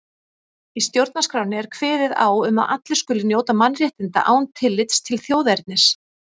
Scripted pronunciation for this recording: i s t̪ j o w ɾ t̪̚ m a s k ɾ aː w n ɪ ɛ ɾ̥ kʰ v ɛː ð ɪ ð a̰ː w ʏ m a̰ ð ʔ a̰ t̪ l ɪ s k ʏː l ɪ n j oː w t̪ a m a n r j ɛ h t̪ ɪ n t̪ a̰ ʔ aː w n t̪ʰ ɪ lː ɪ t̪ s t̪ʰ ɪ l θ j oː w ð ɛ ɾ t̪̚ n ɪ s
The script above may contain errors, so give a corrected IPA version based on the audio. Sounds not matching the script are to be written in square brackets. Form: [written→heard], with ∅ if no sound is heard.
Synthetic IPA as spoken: i s t̪ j o w ɾ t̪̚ [m→n] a s k ɾ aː w n ɪ ɛ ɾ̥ kʰ v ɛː ð ɪ ð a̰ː w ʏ m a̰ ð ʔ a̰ t̪ l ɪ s k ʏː l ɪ n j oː w t̪ a m a n r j ɛ h t̪ ɪ n t̪ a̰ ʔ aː w n t̪ʰ ɪ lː ɪ t̪ s t̪ʰ ɪ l θ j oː w ð ɛ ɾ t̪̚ n ɪ s